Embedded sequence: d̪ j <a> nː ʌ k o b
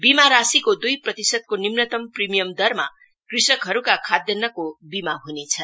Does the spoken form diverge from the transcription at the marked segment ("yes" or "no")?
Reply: yes